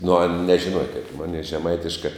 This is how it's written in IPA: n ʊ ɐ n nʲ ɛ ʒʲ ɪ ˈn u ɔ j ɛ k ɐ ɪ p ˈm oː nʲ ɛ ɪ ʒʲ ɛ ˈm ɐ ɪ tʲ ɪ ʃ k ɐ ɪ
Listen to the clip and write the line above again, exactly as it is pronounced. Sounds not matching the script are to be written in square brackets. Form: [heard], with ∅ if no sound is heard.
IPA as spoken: n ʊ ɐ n nʲ ɛ ʒʲ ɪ ˈn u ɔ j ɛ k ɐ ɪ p ˈm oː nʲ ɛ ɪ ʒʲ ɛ ˈm ɐ ɪ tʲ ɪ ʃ k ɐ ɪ